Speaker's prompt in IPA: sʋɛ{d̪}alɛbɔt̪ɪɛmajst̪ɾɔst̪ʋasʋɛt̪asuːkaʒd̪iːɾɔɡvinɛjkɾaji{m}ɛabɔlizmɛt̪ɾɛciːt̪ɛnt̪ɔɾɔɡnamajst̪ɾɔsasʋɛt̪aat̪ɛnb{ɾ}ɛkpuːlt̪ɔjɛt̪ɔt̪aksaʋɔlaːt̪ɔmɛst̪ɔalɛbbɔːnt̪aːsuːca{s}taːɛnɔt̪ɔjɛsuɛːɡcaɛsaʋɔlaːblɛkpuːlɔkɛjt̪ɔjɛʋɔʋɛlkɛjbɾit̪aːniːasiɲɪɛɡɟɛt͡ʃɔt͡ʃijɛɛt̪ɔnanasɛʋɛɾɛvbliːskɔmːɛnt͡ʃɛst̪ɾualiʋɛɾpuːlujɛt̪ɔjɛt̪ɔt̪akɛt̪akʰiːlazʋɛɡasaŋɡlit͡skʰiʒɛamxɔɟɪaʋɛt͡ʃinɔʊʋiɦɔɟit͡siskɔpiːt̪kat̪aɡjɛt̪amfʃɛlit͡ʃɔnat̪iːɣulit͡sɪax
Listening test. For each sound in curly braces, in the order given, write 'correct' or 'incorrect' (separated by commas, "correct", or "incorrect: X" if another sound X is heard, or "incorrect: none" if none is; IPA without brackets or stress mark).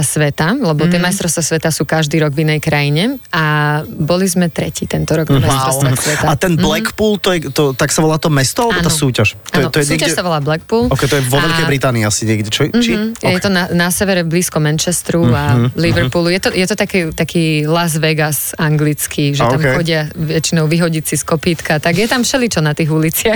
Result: incorrect: t̪, incorrect: ɲ, incorrect: l, incorrect: ʃ